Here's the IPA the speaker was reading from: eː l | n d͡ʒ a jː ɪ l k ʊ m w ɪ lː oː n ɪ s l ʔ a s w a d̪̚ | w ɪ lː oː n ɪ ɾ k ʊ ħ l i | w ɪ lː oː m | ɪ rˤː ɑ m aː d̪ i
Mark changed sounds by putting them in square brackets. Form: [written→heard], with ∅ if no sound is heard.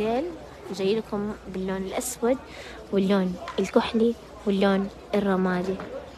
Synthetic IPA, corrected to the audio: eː l | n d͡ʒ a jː ɪ l k ʊ m [w→b] ɪ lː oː n ɪ [s→∅] l ʔ a s w a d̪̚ | w ɪ lː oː n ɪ [ɾ→l] k ʊ ħ l i | w ɪ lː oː [m→n] | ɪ rˤː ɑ m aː d̪ i

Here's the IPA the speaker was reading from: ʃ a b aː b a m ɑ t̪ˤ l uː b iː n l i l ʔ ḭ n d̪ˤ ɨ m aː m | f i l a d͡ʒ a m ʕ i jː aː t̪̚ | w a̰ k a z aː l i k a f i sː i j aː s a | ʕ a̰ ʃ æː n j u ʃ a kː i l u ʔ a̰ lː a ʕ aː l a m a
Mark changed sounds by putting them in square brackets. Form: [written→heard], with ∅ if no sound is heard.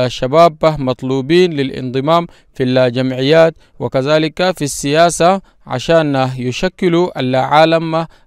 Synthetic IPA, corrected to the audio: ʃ a b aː b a m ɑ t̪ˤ l uː b iː n l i l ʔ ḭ n d̪ˤ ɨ m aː m | f i l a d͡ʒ a m ʕ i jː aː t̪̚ | w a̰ k a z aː l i k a f i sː i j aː s a | ʕ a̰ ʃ [æː→aː] n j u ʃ a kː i l u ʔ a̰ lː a ʕ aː l a m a

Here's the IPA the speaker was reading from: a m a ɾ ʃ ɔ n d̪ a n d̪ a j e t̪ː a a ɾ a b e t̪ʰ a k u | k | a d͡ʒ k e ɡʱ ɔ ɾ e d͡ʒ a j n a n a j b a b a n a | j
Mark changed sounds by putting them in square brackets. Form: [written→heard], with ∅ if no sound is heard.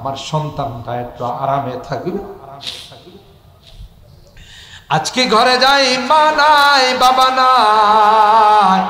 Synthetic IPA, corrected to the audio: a m a ɾ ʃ ɔ n [d̪→t̪] a n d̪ a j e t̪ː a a ɾ a [b→m] e t̪ʰ a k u | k | a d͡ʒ k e ɡʱ ɔ ɾ e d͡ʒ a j [n→m] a n a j b a b a n a | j

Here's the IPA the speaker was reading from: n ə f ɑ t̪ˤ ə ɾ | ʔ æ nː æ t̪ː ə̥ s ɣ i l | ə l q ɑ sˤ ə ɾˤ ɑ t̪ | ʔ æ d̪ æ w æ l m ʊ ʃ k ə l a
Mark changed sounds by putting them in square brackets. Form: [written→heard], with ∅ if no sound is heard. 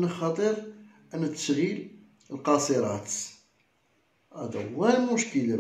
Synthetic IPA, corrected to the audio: n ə [f→x] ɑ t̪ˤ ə ɾ | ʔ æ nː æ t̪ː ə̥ [s→ʃ] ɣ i l | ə l q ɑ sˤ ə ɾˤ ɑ t̪ | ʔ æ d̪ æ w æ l m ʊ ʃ k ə l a

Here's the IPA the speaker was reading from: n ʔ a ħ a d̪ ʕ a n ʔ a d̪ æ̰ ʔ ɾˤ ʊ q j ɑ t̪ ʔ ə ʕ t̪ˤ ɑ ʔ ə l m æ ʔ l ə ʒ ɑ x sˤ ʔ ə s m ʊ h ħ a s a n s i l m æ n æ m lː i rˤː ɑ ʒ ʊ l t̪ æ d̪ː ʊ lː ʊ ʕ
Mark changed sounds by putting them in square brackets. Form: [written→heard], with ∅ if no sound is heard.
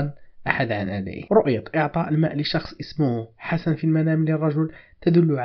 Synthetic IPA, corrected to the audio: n ʔ a ħ a d̪ ʕ a n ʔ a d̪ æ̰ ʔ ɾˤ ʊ [q→ʔ] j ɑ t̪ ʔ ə ʕ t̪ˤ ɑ ʔ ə l m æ ʔ l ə [ʒ→ʃ] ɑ x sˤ ʔ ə s m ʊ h ħ a s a n [s→f] i l m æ n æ m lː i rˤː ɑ ʒ ʊ l t̪ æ [d̪ː→d̪] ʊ lː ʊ ʕ

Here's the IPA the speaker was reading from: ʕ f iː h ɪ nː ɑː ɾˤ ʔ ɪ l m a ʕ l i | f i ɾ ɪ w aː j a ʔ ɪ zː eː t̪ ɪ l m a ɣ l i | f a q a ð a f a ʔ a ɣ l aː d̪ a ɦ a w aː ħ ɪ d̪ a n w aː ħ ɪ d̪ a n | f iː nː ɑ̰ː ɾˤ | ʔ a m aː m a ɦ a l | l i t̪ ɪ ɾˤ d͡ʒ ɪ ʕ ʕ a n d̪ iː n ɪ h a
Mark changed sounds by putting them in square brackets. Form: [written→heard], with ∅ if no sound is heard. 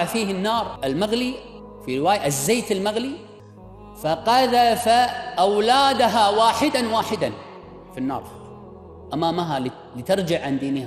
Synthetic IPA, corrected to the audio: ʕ f iː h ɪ nː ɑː ɾˤ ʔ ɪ l m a [ʕ→ɣ] l i | f i ɾ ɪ w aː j a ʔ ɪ zː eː t̪ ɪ l m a ɣ l i | f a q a ð a f a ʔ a [ɣ→w] l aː d̪ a ɦ a w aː ħ ɪ d̪ a n w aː ħ ɪ d̪ a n | f [iː→i] nː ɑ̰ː ɾˤ | ʔ a m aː m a ɦ a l | l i t̪ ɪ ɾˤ d͡ʒ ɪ ʕ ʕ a n d̪ iː n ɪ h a

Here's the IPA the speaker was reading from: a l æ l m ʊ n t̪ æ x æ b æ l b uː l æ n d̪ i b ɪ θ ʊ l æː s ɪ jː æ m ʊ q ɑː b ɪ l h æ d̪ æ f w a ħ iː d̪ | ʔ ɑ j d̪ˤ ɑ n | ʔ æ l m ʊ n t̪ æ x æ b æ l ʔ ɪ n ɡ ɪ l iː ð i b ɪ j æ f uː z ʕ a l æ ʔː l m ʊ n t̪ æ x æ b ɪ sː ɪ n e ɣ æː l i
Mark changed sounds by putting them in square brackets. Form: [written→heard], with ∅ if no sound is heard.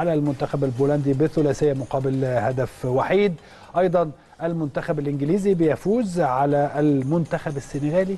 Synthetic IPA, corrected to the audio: a l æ l m ʊ n t̪ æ x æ b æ l b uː l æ n d̪ i b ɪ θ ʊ l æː s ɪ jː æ m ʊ q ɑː b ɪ l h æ d̪ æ f w a ħ iː d̪ | ʔ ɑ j d̪ˤ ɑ n | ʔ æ l m ʊ n t̪ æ x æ b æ l ʔ ɪ n ɡ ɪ l iː [ð→z] i b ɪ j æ f uː z ʕ a l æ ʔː l m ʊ n t̪ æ x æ b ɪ sː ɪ n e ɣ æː l i

